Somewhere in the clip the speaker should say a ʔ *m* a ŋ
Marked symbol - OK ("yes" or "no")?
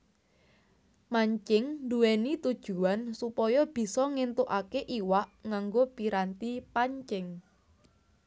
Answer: no